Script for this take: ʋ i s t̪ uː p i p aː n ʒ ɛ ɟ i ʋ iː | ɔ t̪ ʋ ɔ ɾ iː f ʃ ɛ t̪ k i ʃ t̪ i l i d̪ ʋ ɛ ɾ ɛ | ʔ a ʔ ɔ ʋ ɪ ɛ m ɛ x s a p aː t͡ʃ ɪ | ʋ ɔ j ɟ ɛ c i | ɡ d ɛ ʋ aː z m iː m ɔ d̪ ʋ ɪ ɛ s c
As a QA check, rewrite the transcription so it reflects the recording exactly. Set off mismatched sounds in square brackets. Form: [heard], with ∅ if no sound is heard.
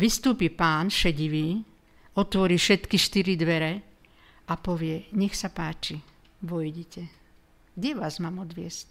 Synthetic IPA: ʋ i s t̪ uː p i p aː n [ʃ] ɛ ɟ i ʋ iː | ɔ t̪ ʋ ɔ ɾ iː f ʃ ɛ t̪ k i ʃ t̪ i [ɾ] i d̪ ʋ ɛ ɾ ɛ | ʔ a [p] ɔ ʋ ɪ ɛ [ɲ] ɛ x s a p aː t͡ʃ [i] | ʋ ɔ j ɟ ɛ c [ɛ] | ɡ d ɛ ʋ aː z m [aː] m ɔ d̪ ʋ ɪ ɛ s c